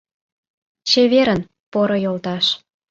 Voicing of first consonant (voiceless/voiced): voiceless